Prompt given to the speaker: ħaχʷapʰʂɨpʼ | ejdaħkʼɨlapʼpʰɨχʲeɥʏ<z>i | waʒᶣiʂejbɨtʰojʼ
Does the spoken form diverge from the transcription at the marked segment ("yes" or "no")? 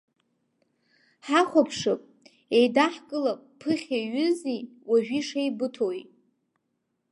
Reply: no